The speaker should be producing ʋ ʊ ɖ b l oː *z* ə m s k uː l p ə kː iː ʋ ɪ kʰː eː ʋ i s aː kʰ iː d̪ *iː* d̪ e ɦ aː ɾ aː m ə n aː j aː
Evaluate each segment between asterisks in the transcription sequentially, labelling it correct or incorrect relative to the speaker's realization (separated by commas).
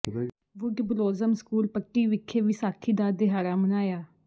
correct, incorrect